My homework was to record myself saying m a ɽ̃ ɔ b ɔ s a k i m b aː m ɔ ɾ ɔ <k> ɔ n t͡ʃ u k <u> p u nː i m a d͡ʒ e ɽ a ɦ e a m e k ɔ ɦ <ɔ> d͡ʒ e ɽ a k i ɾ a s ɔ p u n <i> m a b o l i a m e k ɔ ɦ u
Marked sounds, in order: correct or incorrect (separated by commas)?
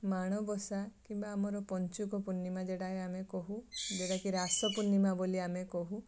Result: incorrect, incorrect, incorrect, correct